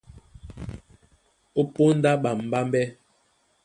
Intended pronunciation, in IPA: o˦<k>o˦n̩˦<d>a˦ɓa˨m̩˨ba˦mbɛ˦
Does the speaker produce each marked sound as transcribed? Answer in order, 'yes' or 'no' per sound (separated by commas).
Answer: no, yes